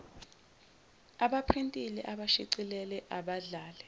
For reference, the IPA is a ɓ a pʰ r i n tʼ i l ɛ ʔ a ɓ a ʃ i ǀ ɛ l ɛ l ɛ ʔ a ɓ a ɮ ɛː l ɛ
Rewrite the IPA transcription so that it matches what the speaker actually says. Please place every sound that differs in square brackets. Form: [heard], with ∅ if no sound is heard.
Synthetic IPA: a ɓ a pʰ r i n tʼ i l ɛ ʔ a ɓ a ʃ i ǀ [i] l ɛ l ɛ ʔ a ɓ a ɮ [aː] l ɛ